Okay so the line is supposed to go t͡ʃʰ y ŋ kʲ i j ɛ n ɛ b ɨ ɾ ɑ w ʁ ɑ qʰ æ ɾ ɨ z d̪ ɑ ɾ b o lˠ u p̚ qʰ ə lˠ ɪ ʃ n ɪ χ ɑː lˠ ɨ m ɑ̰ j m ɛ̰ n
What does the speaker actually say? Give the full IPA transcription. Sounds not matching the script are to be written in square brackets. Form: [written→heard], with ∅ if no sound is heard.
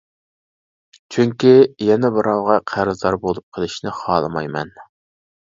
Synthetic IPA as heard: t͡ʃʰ y ŋ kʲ i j ɛ n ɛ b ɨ ɾ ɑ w ʁ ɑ qʰ æ ɾ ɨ z d̪ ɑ ɾ b o lˠ u p̚ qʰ ə lˠ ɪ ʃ n ɪ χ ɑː lˠ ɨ m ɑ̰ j m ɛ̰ n